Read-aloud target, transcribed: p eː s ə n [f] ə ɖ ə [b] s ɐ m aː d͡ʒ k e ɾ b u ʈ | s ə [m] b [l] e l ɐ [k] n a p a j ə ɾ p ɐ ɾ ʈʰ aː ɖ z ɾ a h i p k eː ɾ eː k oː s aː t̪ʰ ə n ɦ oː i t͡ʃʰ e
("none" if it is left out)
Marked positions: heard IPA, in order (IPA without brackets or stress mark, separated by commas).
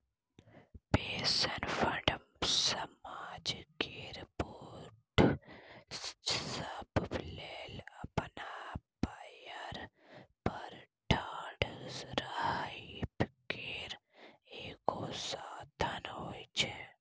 f, m, b, l, p